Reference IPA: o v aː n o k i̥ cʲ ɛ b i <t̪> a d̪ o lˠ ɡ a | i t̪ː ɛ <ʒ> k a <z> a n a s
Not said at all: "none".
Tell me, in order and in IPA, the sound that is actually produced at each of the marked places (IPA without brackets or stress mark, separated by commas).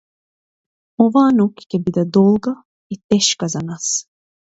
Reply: d̪, ʃ, z